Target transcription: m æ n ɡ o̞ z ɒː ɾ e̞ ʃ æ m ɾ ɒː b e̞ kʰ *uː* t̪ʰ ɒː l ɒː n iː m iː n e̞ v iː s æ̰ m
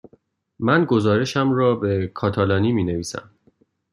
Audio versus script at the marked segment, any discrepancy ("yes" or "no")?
yes